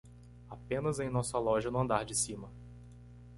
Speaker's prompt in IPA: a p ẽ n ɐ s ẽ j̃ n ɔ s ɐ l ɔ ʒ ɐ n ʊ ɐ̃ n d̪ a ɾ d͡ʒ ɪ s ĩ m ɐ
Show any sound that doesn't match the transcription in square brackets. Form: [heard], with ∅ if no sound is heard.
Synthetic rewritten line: a p ẽ n ɐ [z] ẽ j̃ n ɔ s ɐ l ɔ ʒ ɐ n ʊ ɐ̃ n d̪ a ɾ d͡ʒ ɪ s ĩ m ɐ